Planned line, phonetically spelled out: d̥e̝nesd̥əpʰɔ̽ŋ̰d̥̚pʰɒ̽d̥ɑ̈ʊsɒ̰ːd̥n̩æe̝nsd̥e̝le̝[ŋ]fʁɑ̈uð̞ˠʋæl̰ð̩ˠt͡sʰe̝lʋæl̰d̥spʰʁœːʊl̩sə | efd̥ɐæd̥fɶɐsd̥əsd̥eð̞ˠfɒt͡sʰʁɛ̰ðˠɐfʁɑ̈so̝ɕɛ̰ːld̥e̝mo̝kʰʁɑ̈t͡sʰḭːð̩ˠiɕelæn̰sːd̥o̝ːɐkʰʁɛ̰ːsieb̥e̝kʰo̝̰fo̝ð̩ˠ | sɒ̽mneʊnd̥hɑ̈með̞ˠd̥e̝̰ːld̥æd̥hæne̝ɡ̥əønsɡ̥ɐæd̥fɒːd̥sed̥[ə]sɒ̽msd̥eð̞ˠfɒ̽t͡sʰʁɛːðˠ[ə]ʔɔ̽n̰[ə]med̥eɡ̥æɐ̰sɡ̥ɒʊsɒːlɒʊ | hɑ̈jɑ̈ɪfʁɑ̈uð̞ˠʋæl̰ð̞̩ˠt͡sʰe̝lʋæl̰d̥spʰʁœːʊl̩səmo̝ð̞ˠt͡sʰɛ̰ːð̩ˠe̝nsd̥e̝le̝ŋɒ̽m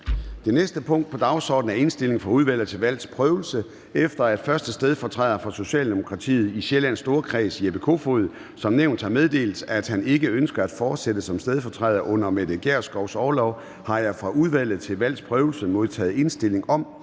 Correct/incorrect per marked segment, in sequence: correct, correct, incorrect: ɐ, incorrect: ɐ

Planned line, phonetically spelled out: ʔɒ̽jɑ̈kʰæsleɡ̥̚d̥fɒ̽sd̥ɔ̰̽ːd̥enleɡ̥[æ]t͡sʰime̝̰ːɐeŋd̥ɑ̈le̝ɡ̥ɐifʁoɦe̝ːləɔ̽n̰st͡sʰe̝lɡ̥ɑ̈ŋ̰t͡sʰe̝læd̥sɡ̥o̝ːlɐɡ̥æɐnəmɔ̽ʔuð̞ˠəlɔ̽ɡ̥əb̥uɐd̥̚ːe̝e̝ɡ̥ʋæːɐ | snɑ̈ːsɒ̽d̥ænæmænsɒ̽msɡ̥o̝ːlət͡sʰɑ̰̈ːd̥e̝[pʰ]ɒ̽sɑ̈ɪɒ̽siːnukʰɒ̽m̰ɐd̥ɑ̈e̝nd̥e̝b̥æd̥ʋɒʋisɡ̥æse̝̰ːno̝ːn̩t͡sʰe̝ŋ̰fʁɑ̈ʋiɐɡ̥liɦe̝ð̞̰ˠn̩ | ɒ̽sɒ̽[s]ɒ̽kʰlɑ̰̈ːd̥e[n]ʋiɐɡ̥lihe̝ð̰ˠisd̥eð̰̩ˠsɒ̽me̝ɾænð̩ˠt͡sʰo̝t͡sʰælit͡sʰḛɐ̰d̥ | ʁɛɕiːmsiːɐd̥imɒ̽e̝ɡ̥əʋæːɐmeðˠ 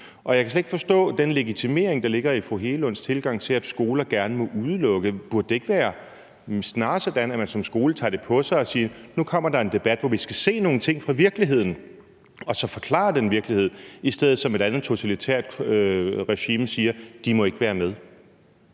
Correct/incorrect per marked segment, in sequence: incorrect: i, correct, incorrect: f, correct

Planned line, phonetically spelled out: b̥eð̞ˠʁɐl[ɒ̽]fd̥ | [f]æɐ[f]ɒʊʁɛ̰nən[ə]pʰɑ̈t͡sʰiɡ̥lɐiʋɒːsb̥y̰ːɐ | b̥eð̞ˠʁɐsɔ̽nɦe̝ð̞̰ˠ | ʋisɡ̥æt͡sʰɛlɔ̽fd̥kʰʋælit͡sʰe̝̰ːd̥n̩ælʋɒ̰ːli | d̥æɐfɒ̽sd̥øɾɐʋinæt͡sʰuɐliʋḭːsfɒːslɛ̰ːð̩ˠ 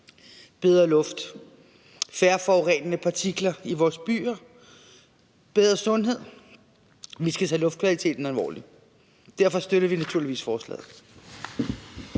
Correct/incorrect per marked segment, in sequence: incorrect: ɔ̽, correct, correct, correct

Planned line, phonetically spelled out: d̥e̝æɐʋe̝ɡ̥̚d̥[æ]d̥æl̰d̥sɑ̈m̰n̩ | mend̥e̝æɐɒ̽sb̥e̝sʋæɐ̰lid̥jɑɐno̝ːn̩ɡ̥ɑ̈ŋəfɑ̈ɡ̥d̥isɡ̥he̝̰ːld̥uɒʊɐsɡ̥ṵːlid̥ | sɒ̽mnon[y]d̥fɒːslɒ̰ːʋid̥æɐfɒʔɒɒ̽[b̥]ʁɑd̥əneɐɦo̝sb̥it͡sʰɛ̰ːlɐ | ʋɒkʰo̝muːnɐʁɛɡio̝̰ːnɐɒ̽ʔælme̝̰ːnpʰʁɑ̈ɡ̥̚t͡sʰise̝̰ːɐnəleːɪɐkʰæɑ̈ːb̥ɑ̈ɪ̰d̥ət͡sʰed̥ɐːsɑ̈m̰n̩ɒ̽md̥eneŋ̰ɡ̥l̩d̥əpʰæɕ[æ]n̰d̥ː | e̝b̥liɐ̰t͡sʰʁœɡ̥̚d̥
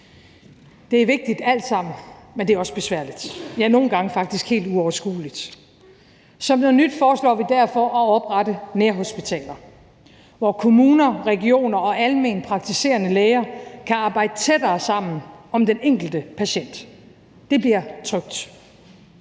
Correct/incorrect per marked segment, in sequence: incorrect: i, correct, correct, incorrect: e

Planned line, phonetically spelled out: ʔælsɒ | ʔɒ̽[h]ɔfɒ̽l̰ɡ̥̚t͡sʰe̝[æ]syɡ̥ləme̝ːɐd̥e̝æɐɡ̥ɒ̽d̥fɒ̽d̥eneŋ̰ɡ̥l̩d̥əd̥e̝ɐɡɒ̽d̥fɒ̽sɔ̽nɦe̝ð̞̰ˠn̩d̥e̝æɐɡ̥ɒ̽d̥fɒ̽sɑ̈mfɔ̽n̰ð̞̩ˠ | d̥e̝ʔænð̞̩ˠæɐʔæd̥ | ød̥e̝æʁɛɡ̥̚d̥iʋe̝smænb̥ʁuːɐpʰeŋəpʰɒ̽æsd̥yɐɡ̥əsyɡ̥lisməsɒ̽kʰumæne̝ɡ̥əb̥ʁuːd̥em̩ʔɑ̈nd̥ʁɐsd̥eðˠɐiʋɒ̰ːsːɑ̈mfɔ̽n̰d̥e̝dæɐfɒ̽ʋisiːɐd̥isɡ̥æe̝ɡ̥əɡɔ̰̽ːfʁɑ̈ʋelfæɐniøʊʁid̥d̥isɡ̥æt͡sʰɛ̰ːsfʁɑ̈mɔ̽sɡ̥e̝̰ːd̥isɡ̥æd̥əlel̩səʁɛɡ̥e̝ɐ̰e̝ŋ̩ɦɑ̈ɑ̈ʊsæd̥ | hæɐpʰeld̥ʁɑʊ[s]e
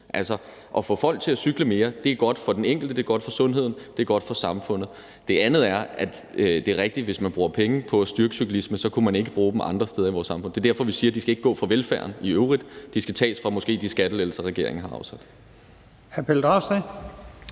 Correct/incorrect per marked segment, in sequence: incorrect: f, correct, correct

